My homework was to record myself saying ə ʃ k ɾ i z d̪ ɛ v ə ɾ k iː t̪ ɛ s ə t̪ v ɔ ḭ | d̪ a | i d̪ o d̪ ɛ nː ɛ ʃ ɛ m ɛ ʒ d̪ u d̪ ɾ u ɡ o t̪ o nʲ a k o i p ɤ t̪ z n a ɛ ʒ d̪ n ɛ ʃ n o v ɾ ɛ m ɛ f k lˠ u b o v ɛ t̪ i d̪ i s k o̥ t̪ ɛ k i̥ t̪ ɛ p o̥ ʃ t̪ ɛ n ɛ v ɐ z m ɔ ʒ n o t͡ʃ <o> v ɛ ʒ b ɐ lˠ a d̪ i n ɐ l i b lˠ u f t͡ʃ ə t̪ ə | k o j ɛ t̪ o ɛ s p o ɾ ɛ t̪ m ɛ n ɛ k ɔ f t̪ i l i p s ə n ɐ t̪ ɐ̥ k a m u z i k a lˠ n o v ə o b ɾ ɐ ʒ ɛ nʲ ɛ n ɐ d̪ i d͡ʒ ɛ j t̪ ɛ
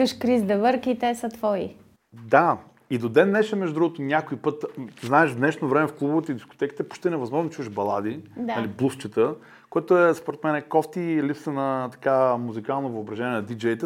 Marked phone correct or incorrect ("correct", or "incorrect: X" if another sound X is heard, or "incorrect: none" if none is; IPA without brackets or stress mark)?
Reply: incorrect: u